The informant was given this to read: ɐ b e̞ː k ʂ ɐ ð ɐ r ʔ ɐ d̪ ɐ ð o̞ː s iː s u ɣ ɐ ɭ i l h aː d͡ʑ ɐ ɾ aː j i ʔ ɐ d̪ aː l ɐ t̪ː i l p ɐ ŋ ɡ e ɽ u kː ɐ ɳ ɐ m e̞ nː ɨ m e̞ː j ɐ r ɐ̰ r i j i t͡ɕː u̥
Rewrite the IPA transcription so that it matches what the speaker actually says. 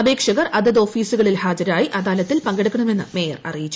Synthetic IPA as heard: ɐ b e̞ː k ʂ ɐ ɣ ɐ r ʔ ɐ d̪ ɐ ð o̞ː f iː s u ɣ ɐ ɭ i l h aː d͡ʑ ɐ ɾ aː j i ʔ ɐ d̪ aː l ɐ t̪ː i l p ɐ ŋ ɡ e ɽ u kː ɐ ɳ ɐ m e̞ nː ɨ m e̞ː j ɐ r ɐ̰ r i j i t͡ɕː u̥

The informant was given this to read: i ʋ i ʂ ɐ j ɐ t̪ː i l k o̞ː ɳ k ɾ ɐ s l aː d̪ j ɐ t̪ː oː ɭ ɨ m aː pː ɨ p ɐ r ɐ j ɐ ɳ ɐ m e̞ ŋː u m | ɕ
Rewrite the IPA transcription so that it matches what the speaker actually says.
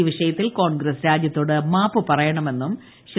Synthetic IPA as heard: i ʋ i ʂ ɐ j ɐ t̪ː i l k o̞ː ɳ ɡ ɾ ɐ s ɾ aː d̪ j ɐ t̪ː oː ɽ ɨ m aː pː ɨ p ɐ r ɐ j ɐ ɳ ɐ m e̞ nː u m | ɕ

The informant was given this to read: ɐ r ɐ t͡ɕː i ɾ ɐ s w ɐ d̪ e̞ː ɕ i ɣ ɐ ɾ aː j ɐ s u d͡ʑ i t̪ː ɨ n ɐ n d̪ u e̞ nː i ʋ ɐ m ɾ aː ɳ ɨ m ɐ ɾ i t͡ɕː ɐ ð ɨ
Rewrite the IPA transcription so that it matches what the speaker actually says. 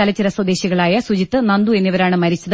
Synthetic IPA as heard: ɐ l ɐ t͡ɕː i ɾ ɐ s w ɐ d̪ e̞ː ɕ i ɣ ɐ ɭ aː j ɐ s u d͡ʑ i t̪ː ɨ n ɐ n d̪ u e̞ nː i ʋ ɐ ɾ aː ɳ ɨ m ɐ ɾ i t͡ɕː ɐ ð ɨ

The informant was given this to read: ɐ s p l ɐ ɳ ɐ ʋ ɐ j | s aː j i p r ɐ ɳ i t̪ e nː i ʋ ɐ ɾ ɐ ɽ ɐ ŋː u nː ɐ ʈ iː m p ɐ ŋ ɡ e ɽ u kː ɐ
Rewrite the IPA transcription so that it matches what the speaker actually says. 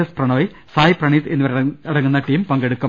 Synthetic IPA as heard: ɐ s p r ɐ ɳ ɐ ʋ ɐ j | s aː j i p r ɐ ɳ i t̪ e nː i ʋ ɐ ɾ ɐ ɽ ɐ ŋː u nː ɐ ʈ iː m p ɐ ŋ ɡ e ɽ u kː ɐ

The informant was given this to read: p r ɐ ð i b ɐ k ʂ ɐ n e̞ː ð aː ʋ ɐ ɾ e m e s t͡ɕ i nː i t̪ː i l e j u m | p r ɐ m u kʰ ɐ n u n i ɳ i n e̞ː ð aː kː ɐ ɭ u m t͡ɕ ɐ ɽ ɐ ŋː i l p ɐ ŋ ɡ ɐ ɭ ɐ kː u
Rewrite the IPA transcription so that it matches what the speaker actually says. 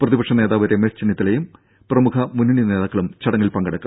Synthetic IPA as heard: p r ɐ ð i b ɐ k ʂ ɐ n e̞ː ð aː ʋ ɐ ɾ e m e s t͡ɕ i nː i t̪ː i l e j u m | p r ɐ m u kʰ ɐ m u n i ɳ i n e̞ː ð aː kː ɐ ɭ u m t͡ɕ ɐ ɽ ɐ ŋː i l p ɐ ŋ ɡ ɐ ɽ ɐ kː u

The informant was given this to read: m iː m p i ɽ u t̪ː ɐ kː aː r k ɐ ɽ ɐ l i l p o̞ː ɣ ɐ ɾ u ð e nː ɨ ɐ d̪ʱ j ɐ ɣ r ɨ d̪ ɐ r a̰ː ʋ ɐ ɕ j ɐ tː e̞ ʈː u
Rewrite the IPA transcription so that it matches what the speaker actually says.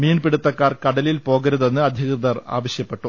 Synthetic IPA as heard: m iː n p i ɽ u t̪ː ɐ kː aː r k ɐ ɽ ɐ l i l p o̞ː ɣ ɐ ɾ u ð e nː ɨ ɐ d̪ʱ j ɐ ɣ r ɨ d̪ ɐ r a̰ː ʋ ɐ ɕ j ɐ pː e̞ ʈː u

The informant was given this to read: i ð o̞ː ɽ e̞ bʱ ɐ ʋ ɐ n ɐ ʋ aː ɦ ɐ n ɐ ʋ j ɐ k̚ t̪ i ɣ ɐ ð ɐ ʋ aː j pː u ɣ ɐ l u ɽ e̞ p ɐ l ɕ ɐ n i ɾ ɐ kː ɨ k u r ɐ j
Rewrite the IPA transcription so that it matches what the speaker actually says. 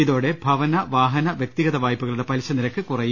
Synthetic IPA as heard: i ð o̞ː ɽ e̞ bʱ ɐ ʋ ɐ n ɐ ʋ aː ɦ ɐ n ɐ ʋ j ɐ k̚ t̪ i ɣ ɐ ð ɐ ʋ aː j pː u ɣ ɐ ɭ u ɽ e̞ p ɐ l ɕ ɐ n i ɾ ɐ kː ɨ k u r ɐ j

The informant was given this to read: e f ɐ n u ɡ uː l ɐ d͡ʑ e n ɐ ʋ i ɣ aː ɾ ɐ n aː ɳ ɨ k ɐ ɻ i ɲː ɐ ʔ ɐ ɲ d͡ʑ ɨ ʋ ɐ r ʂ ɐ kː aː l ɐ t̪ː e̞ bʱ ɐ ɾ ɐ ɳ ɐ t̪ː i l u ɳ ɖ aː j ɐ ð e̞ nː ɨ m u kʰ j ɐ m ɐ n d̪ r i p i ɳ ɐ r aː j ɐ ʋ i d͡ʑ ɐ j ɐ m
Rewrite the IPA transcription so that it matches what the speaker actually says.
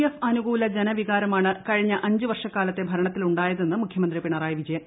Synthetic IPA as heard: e f ɐ n u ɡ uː l ɐ d͡ʑ e n ɐ ʋ i ɣ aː ɾ ɐ m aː ɳ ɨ k ɐ ɻ i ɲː ɐ ʔ ɐ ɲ d͡ʑ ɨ ʋ ɐ r ʂ ɐ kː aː l ɐ t̪ː e̞ bʱ ɐ ɾ ɐ ɳ ɐ t̪ː i l u ɳ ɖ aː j ɐ ð e̞ nː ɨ m u kʰ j ɐ m ɐ n d̪ r i p i ɳ ɐ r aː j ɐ ʋ i d͡ʑ ɐ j ɐ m

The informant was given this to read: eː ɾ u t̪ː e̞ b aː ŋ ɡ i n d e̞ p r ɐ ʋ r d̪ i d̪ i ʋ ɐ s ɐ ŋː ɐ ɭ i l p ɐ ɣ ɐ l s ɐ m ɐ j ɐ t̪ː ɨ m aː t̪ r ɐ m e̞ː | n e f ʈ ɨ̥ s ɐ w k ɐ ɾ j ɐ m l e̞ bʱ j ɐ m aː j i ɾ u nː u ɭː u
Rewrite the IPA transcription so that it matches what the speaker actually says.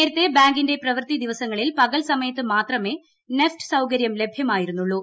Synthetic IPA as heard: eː ɾ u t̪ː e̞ b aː ŋ ɡ i n d e̞ p r ɐ ʋ r t̪ i d̪ i ʋ ɐ s ɐ ŋː ɐ ɭ i l p ɐ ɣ ɐ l s ɐ m ɐ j ɐ t̪ː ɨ m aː t̪ r ɐ m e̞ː | n e f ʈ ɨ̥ s ɐ w k ɐ ɾ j ɐ m l e̞ bʱ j ɐ m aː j i ɾ u nː u ɭː u

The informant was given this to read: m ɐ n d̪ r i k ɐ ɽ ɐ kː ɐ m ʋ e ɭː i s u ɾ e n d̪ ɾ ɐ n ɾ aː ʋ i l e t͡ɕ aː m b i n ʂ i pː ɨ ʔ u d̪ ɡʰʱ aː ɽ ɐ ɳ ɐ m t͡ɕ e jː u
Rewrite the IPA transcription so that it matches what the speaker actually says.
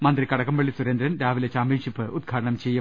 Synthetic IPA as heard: m ɐ n d̪ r i k ɐ ɽ ɐ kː ɐ m ʋ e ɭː i s u ɾ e n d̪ ɾ ɐ n ɾ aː ʋ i l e t͡ɕ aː m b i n ʂ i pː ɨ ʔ u d̪ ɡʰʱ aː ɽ ɐ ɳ ɐ m t͡ɕ e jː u

